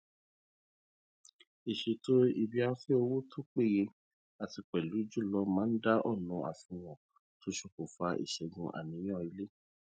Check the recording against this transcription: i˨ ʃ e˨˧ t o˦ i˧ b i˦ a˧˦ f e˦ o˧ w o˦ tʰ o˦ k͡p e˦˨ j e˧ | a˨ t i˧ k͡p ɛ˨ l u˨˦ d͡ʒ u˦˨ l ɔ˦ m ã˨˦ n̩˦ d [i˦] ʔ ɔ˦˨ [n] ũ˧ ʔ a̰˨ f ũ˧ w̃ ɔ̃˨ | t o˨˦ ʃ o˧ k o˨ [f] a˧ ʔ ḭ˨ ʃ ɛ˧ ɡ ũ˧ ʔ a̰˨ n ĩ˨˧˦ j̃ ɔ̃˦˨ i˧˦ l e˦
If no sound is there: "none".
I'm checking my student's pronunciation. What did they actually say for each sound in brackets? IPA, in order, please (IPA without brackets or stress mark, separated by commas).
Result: a˦, n, f